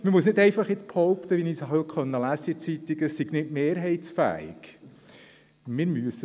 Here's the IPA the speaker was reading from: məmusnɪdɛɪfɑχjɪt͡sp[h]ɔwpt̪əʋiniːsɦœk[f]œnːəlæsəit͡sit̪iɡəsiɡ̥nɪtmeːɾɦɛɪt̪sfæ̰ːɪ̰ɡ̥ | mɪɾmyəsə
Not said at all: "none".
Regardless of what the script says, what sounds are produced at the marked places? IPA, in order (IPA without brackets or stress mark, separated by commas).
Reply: h, χ